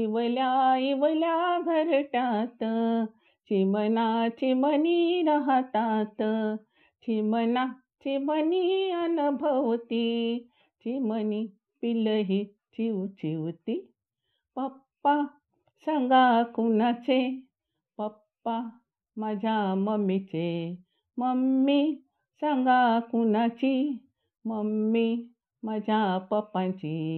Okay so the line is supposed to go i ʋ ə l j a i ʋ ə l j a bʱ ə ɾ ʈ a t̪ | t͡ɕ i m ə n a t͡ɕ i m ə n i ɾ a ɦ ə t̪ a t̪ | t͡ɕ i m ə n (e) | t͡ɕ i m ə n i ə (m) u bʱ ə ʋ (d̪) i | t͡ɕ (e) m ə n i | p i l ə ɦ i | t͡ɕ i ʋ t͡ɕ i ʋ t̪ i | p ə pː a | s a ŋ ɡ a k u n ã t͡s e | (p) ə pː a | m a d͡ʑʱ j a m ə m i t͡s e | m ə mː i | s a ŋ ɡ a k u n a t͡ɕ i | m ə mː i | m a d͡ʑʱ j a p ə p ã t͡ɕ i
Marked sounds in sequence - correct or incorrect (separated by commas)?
incorrect, incorrect, incorrect, incorrect, correct